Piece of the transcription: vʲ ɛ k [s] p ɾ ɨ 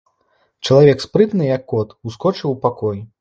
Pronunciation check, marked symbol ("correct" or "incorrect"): correct